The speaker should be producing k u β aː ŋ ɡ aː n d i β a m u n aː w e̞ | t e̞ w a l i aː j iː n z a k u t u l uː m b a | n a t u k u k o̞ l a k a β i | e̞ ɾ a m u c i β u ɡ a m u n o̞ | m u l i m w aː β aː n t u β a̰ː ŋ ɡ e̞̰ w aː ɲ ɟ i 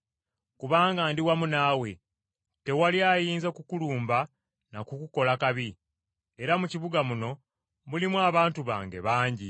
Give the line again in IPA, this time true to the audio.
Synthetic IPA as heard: k u β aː ŋ ɡ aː n d i w a m u n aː w e̞ | t e̞ w a l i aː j iː n z a k u k u l uː m b a | n a k u k u k o̞ l a k a β i | e̞ ɾ a m u c i β u ɡ a m u n o̞ | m u l i m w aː β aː n t u β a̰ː ŋ ɡ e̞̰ β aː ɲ ɟ i